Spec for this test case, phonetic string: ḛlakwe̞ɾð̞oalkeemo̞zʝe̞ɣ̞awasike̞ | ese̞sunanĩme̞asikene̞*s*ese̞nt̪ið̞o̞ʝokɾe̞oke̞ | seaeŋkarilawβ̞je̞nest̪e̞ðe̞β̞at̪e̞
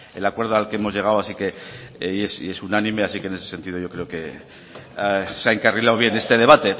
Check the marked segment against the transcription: correct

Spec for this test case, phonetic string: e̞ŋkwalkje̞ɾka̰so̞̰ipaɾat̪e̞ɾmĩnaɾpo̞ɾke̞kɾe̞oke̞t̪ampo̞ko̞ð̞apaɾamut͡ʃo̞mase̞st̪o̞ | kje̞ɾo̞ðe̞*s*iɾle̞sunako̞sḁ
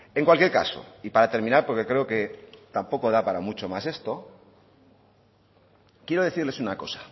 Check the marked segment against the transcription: incorrect: θ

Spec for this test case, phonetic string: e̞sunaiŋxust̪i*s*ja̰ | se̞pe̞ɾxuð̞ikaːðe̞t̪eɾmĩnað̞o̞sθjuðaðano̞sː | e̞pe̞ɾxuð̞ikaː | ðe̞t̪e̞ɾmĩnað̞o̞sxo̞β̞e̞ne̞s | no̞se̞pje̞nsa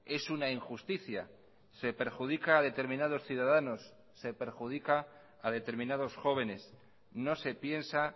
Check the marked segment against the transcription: incorrect: θ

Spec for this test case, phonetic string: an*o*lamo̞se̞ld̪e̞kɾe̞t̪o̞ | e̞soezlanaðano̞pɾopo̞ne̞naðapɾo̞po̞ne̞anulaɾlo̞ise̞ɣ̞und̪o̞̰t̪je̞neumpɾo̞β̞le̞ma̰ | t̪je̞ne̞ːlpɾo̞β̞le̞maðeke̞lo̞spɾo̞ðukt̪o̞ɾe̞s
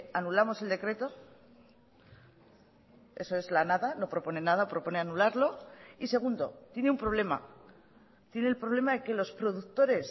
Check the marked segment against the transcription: incorrect: u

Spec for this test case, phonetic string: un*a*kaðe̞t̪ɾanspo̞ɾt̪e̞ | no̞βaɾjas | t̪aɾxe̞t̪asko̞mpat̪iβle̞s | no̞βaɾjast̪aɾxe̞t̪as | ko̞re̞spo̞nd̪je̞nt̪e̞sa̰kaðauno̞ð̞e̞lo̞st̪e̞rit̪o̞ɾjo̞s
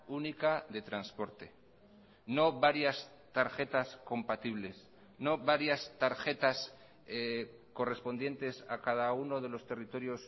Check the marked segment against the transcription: incorrect: i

